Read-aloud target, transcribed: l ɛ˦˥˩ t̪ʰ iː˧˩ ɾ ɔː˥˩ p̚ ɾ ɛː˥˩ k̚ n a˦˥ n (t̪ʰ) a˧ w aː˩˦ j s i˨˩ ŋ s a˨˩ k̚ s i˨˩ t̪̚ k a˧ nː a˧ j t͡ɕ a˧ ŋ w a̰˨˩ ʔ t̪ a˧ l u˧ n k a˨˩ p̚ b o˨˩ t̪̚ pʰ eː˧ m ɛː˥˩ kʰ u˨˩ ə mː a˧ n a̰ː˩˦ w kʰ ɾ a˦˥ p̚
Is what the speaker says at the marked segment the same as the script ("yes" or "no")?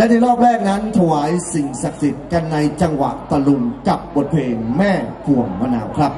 yes